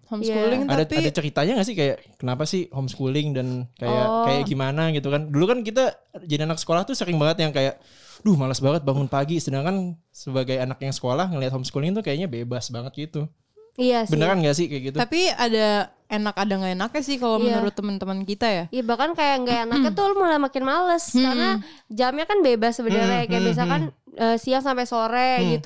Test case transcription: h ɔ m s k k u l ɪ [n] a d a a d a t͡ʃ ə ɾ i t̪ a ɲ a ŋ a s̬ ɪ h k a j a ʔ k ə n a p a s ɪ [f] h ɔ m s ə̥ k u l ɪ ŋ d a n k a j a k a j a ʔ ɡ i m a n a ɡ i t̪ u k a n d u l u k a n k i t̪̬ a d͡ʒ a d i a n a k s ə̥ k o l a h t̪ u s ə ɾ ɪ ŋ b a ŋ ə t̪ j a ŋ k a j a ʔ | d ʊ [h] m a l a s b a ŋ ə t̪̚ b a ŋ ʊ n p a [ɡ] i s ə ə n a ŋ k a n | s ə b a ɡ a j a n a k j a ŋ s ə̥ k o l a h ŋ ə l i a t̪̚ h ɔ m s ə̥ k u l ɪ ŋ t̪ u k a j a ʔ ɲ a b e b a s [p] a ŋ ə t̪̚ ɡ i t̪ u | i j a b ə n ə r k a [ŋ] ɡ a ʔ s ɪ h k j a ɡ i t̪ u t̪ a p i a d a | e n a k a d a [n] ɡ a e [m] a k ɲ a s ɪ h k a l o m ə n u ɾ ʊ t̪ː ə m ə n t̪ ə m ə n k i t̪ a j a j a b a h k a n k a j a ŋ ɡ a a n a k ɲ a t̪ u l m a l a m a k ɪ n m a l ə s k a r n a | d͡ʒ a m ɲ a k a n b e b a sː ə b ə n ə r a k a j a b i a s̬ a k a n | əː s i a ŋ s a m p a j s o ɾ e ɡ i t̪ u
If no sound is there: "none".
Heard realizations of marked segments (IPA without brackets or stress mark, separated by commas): ŋ, h, h, ɡ, b, n, ŋ, n